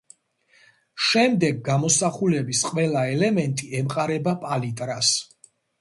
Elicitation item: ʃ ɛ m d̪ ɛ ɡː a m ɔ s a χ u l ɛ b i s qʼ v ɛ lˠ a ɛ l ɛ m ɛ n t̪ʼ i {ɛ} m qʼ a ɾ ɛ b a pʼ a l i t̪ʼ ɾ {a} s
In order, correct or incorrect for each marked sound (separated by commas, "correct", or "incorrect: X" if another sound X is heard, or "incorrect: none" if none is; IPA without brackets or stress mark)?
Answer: correct, correct